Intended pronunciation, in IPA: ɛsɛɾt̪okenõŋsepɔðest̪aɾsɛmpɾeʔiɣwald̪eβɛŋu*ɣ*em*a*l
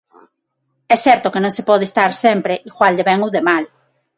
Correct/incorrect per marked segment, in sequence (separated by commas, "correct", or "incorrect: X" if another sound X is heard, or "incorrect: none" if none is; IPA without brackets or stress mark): incorrect: ð, correct